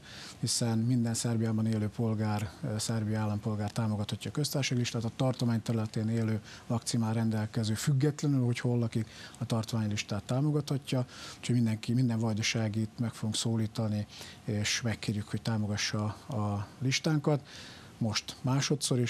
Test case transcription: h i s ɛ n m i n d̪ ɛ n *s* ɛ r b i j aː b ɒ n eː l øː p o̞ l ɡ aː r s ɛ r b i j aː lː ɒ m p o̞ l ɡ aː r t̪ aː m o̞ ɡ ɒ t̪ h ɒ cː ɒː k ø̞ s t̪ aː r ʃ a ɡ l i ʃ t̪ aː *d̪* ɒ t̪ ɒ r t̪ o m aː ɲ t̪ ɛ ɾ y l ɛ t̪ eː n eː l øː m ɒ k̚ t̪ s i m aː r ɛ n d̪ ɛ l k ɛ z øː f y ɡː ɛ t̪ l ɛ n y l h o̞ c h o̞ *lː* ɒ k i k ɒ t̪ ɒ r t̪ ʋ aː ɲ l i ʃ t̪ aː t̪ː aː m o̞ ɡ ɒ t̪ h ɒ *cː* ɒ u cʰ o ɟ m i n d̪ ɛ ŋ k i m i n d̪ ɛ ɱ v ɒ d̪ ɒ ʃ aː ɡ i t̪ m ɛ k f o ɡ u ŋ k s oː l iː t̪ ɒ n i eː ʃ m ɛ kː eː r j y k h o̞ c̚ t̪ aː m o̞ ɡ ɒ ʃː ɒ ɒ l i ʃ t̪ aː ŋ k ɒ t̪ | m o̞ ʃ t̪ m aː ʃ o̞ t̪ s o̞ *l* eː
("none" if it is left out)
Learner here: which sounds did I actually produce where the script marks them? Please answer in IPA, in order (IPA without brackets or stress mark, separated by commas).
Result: s, t̪, lː, cː, ɾ